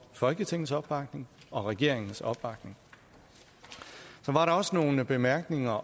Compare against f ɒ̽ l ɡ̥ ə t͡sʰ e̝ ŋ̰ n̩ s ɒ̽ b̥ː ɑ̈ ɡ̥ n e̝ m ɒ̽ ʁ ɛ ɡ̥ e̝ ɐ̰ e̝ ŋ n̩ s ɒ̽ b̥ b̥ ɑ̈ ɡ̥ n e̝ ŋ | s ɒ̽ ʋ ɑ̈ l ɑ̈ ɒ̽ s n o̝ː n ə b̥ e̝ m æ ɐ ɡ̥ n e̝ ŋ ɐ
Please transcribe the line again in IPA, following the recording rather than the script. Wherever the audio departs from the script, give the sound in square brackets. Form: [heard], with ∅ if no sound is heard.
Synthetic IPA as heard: f ɒ̽ l ɡ̥ ə t͡sʰ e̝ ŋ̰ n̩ s ɒ̽ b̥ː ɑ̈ ɡ̥ n e̝ [ŋ] ɒ̽ ʁ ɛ ɡ̥ e̝ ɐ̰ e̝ ŋ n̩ s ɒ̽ b̥ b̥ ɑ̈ ɡ̥ n e̝ ŋ | s ɒ̽ ʋ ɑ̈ [ɾ] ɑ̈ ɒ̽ s n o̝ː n ə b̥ e̝ m æ ɐ ɡ̥ n e̝ ŋ ɐ

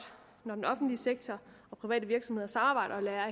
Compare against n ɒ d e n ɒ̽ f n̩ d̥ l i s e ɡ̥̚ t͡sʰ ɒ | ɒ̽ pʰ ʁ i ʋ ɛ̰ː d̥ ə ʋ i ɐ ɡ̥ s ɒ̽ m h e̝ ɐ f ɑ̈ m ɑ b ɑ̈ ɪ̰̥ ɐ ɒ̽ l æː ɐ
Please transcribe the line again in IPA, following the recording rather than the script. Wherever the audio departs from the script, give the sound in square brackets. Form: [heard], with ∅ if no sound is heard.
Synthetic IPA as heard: n ɒ d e n ɒ̽ f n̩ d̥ l i s e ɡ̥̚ t͡sʰ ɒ | ɒ̽ pʰ ʁ i ʋ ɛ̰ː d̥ ə ʋ i ɐ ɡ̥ s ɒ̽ m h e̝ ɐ [s] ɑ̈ m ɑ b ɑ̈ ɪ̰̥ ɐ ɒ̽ l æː ɐ

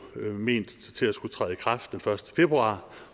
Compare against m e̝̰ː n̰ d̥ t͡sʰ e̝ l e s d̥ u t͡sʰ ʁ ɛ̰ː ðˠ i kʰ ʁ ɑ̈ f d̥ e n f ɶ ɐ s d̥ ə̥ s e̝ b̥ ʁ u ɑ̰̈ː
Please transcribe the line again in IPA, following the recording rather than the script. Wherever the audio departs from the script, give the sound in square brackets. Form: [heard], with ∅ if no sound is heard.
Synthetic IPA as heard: m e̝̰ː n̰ d̥ t͡sʰ e̝ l [æ] s [ɡ̥] u t͡sʰ ʁ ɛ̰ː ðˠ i kʰ ʁ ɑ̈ f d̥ e n f ɶ ɐ s d̥ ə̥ [f] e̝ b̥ ʁ u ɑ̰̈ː

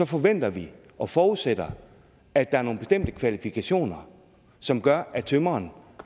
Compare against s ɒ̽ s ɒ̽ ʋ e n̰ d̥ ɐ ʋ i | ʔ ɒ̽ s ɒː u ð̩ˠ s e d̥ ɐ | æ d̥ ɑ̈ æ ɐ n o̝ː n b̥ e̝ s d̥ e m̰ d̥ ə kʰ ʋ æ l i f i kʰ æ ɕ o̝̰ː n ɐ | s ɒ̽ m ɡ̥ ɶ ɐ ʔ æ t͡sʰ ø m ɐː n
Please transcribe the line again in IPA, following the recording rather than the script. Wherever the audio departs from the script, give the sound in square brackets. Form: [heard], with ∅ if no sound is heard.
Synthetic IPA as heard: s ɒ̽ [f] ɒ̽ ʋ e n̰ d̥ ɐ ʋ i | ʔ ɒ̽ [f] ɒː u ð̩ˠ s e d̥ ɐ | æ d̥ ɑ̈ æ ɐ n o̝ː n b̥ e̝ s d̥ e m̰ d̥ ə kʰ ʋ æ l i f i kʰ æ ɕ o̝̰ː n ɐ | s ɒ̽ m ɡ̥ ɶ ɐ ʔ æ t͡sʰ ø m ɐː n

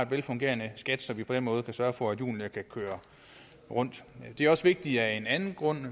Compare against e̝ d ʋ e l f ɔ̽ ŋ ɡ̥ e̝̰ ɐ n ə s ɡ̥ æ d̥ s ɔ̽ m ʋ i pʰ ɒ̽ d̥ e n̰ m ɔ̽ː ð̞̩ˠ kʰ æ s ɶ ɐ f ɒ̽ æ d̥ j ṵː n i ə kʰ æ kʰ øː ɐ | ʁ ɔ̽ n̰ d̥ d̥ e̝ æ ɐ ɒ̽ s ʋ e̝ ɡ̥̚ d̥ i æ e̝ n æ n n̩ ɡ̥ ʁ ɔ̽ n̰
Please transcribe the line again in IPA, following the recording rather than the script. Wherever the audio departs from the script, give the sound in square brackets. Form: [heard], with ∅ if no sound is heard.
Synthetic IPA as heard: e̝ d ʋ e l f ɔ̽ ŋ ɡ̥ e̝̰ ɐ n ə s ɡ̥ æ d̥ s [ɒ̽] m ʋ i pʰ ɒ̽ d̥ e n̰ m ɔ̽ː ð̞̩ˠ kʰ æ s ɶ ɐ f ɒ̽ æ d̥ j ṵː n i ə kʰ æ kʰ øː ɐ | ʁ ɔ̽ n̰ d̥ d̥ e̝ æ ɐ ɒ̽ s ʋ e̝ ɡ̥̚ d̥ i æ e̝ n æ n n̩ ɡ̥ ʁ ɔ̽ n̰

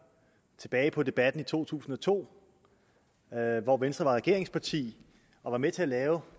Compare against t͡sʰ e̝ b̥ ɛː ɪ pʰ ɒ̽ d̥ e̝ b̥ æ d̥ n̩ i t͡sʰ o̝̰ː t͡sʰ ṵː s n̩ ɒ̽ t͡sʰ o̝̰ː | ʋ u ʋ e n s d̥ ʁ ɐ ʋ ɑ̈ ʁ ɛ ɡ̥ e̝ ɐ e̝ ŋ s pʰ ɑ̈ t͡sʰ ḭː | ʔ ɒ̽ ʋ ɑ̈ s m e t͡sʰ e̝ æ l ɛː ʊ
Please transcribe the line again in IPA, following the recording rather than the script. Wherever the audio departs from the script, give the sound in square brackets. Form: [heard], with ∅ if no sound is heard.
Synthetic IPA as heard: t͡sʰ e̝ b̥ ɛː ɪ pʰ ɒ̽ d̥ e̝ b̥ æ d̥ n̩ i t͡sʰ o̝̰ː t͡sʰ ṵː s n̩ ɒ̽ t͡sʰ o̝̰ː | ʋ [ɒ] ʋ e n s d̥ ʁ ɐ ʋ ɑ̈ ʁ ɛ ɡ̥ e̝ ɐ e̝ ŋ s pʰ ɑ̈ t͡sʰ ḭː | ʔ ɒ̽ ʋ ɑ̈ [∅] m e t͡sʰ e̝ æ l ɛː ʊ

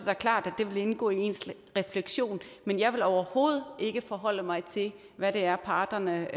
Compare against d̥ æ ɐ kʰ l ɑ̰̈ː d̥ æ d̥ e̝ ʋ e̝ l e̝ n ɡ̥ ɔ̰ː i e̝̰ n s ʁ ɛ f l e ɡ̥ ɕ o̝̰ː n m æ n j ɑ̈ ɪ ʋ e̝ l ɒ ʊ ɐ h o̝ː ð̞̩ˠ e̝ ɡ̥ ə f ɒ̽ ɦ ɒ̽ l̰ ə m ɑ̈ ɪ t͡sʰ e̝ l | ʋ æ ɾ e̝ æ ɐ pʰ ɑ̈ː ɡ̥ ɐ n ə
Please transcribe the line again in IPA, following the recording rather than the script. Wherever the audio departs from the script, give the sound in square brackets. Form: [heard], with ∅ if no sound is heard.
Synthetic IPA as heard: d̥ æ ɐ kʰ l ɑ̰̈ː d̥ æ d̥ e̝ ʋ e̝ l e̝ n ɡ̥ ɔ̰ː i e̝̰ n s ʁ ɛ f l e ɡ̥ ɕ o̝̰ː n m [e] n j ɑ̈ ɪ ʋ e̝ l ɒ ʊ ɐ h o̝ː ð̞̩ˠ e̝ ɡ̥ ə f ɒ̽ ɦ ɒ̽ l̰ ə m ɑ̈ ɪ t͡sʰ e̝ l | ʋ æ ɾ e̝ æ ɐ pʰ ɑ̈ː [d̥] ɐ n ə

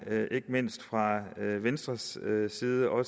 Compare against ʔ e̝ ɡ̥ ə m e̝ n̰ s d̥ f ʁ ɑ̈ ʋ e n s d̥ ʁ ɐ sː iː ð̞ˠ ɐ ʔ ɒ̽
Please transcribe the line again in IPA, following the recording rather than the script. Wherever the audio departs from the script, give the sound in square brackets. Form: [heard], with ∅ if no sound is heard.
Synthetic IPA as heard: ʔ e̝ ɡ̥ ə m e̝ n̰ s d̥ f ʁ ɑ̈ ʋ e n s d̥ ʁ ɐ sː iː ð̞ˠ [ə] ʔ ɒ̽

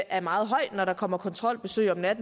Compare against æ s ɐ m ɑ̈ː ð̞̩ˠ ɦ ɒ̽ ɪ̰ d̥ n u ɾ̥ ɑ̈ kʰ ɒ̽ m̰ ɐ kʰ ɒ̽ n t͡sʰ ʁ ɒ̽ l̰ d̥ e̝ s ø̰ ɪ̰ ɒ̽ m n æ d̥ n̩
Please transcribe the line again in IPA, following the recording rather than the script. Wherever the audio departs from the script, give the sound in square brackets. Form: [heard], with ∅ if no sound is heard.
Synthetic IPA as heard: æ [∅] ɐ m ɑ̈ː ð̞̩ˠ ɦ ɒ̽ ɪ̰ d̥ n [ɒ] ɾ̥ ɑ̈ kʰ ɒ̽ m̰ ɐ kʰ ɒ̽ n t͡sʰ ʁ ɒ̽ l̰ [b̥] e̝ s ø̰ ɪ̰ ɒ̽ m n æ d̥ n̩

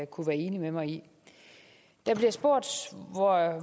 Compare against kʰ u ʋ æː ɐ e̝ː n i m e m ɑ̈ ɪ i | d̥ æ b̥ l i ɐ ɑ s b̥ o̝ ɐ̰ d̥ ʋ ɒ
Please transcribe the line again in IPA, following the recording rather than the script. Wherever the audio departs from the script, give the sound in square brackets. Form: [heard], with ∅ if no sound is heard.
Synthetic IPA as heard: kʰ u ʋ æː ɐ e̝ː n i m e m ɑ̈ ɪ i | d̥ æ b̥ l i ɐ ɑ s b̥ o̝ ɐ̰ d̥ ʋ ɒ

